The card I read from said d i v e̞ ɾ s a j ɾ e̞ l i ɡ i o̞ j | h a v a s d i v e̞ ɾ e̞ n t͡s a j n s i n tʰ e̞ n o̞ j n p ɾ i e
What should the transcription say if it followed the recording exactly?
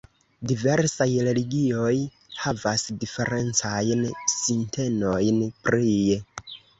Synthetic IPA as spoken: d i v e̞ ɾ s a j ɾ e̞ l i ɡ i o̞ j | h a v a s d i f e̞ ɾ e̞ n t͡s a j n s i n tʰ e̞ n o̞ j n p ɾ i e